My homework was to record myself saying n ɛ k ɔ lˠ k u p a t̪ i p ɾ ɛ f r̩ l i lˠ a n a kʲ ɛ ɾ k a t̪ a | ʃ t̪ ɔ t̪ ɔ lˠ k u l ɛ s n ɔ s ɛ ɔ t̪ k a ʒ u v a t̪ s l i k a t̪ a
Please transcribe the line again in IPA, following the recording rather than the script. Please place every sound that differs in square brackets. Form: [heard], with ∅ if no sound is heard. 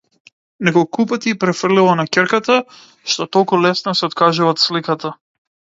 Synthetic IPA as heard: n ɛ k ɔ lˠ k u p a t̪ i p ɾ ɛ f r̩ l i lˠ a n a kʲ ɛ ɾ k a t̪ a | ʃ t̪ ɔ t̪ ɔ lˠ k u l ɛ s n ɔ s ɛ ɔ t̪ k a ʒ u v a t̪ s l i k a t̪ a